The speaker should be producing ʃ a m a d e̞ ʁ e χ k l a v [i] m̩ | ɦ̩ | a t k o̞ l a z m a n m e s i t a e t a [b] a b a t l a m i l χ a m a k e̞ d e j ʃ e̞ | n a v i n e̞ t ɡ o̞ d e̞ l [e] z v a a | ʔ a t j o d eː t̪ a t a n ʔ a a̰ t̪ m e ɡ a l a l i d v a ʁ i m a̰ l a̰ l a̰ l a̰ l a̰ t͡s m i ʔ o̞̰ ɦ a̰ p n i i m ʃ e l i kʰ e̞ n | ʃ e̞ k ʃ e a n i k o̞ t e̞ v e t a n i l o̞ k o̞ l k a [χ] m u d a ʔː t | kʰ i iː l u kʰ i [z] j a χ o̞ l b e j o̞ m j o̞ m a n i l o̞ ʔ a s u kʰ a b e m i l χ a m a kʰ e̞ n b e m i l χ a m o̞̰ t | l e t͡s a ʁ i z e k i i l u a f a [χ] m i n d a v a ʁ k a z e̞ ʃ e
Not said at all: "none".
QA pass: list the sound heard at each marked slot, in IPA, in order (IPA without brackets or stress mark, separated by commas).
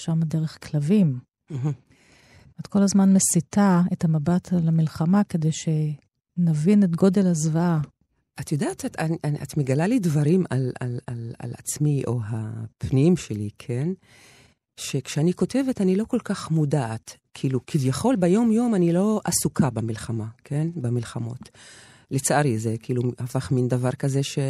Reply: i, m, a, χ, v, χ